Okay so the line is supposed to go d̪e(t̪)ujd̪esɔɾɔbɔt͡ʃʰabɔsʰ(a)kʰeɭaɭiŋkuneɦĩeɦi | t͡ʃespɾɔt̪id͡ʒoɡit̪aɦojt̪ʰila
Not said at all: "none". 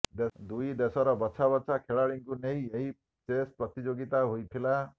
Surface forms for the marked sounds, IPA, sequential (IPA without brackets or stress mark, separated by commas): d̪, a